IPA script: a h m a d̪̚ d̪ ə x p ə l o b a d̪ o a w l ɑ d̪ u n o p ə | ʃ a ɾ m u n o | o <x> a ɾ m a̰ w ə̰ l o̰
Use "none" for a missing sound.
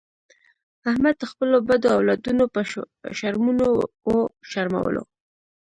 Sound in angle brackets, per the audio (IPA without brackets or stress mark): ʃ